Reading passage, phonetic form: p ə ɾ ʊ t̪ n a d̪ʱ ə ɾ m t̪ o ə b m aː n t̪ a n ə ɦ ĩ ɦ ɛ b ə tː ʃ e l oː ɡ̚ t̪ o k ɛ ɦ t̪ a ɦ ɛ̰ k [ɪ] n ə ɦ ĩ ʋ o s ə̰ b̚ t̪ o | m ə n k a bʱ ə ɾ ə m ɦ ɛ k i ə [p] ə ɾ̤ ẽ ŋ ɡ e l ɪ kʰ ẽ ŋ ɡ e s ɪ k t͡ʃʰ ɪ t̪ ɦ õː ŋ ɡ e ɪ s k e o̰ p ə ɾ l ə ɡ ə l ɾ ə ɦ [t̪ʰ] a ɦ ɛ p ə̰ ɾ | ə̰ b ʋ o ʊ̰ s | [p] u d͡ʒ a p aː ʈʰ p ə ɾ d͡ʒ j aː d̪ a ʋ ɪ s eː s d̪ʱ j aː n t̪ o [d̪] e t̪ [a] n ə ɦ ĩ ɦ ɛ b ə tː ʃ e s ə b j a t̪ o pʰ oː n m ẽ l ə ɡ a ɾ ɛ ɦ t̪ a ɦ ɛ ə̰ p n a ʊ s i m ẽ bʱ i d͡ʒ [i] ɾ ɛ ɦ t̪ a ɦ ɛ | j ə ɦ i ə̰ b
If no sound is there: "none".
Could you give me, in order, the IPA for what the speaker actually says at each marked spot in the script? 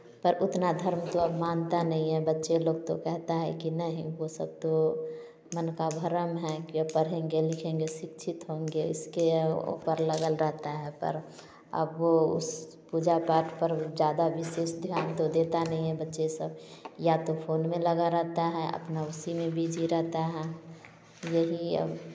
i, p, t̪, p, d̪, a, i

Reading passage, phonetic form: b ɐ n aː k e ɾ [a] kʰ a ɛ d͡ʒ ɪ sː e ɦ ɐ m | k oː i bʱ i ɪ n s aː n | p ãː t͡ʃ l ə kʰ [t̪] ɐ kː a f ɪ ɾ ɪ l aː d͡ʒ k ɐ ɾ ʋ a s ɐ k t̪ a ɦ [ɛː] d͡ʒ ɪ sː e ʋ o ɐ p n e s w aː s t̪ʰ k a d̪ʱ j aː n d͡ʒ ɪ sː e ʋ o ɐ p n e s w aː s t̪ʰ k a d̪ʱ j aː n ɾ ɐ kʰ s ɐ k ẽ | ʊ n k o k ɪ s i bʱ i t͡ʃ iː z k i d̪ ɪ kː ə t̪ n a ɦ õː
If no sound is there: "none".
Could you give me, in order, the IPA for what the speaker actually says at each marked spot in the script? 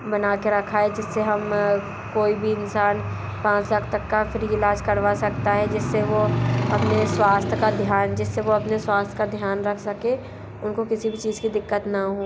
ɐ, t̪, ɛ

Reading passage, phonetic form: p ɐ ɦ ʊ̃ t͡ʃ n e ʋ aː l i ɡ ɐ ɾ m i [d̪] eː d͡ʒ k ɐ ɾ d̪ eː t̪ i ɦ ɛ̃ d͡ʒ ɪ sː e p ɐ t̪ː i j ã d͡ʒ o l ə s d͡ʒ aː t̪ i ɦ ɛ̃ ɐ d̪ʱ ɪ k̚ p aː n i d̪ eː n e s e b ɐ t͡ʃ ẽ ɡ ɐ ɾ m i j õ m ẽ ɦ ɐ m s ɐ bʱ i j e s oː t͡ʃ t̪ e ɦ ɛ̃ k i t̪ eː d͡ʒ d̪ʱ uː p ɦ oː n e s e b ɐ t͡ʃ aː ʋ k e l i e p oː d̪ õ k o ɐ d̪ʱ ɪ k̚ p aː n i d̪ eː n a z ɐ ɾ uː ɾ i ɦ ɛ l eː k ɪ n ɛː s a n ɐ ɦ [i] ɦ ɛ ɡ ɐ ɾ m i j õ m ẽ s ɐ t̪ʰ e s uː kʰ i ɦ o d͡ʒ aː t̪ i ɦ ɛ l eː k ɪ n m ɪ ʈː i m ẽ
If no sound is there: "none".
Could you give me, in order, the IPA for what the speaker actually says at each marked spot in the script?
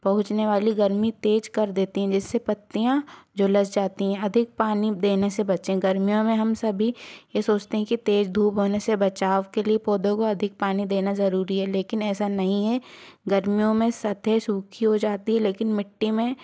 t̪, ĩ

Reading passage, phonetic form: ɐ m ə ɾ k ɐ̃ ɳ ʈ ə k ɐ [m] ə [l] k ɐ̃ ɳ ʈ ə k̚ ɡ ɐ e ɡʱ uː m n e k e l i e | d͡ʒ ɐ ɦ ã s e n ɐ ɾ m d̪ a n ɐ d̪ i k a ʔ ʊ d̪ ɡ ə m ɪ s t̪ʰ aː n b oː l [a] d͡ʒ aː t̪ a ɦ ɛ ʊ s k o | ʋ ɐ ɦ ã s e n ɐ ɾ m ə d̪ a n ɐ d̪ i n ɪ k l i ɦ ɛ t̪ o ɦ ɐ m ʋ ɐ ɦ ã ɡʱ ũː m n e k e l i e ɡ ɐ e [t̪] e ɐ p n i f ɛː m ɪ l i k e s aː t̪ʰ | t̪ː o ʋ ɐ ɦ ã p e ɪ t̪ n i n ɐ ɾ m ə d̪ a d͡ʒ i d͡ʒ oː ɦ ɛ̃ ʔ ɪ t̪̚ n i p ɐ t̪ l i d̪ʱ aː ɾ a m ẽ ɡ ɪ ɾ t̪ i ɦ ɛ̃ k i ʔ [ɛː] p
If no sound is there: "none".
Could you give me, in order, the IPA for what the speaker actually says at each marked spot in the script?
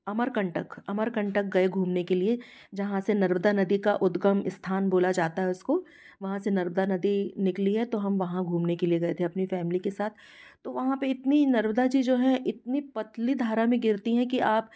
m, ɾ, a, t̪ʰ, aː

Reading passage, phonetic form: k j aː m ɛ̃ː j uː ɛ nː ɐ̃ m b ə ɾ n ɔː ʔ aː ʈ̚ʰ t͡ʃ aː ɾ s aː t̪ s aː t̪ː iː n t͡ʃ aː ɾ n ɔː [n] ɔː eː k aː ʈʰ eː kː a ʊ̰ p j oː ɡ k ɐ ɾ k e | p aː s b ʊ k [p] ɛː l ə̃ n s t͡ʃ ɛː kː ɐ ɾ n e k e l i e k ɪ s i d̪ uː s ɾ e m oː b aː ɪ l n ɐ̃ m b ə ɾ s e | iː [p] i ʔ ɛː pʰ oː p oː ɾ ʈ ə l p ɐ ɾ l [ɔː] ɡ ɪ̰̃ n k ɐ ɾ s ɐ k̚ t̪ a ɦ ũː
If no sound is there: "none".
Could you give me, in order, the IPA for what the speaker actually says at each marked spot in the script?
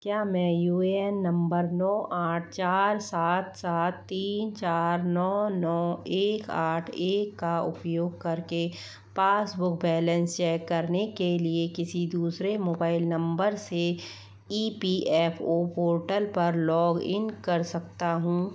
n, b, p, ɔː

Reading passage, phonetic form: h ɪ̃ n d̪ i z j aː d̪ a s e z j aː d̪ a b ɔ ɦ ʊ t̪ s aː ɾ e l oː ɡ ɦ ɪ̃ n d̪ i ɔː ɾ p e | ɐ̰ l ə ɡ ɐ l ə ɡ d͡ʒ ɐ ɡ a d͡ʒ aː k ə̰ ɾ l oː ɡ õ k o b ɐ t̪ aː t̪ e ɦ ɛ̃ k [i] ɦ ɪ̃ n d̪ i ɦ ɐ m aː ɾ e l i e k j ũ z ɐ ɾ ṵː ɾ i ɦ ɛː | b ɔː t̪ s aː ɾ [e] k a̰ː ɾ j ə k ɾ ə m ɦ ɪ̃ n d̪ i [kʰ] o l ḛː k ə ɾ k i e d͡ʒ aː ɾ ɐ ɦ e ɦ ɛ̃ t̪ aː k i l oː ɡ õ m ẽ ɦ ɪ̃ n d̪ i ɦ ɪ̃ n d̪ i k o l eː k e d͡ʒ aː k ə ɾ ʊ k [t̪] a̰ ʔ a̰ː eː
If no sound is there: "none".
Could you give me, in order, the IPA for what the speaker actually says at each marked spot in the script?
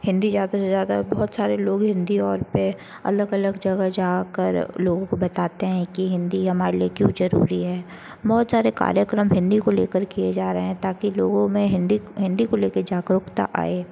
i, e, k, t̪

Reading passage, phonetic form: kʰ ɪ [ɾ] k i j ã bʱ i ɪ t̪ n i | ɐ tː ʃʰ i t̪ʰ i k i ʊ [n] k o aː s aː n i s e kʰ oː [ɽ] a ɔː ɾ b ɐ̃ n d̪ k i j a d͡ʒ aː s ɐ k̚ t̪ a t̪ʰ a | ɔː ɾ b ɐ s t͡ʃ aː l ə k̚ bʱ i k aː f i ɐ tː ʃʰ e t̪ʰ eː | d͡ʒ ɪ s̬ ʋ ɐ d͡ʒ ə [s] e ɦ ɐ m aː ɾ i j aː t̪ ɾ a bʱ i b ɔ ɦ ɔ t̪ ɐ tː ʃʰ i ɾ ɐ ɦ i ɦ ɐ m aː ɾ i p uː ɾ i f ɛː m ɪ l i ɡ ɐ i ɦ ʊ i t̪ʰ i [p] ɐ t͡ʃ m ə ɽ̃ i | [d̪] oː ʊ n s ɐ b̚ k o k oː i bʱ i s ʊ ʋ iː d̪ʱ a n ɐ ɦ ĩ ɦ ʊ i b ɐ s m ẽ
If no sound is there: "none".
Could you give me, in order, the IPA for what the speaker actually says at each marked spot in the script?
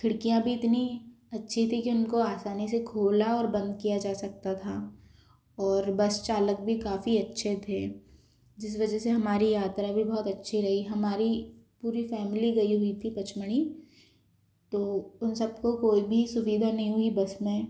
ɽ, n, l, s, p, t̪

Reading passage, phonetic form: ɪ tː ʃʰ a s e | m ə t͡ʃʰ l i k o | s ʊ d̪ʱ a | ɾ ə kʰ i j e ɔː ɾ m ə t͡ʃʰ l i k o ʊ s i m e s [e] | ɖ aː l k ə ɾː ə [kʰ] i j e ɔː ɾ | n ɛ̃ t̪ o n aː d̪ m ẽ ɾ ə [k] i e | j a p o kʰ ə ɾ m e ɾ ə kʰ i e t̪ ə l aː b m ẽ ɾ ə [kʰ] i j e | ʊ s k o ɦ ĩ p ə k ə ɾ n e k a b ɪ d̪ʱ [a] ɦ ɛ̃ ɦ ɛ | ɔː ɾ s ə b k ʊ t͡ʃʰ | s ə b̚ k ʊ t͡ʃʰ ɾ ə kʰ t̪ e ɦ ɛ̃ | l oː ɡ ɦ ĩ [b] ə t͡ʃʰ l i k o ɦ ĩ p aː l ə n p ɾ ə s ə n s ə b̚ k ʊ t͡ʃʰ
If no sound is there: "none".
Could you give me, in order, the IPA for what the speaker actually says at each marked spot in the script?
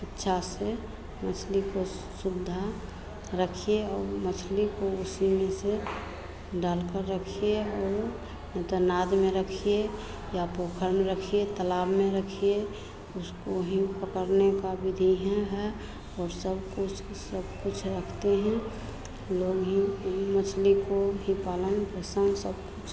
e, kʰ, kʰ, kʰ, i, m

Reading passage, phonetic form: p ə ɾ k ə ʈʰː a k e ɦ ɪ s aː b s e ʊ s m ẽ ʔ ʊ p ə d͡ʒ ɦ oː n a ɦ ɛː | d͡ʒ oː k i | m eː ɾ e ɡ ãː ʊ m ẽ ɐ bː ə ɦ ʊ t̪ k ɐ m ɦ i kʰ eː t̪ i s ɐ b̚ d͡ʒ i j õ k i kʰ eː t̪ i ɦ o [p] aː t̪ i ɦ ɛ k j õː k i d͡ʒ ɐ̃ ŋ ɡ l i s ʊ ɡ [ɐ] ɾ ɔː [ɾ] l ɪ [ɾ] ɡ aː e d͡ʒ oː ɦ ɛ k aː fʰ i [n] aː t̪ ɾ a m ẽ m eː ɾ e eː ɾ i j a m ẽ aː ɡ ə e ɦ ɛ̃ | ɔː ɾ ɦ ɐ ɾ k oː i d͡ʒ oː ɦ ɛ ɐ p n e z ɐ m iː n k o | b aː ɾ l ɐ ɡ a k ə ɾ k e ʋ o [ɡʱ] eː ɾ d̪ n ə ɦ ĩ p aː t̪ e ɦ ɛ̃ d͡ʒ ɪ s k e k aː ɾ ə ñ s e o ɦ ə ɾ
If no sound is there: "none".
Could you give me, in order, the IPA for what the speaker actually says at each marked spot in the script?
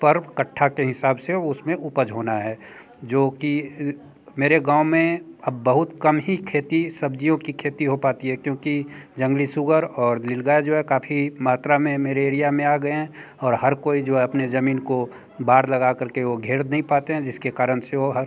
p, ə, ɾ, l, m, ɡʱ

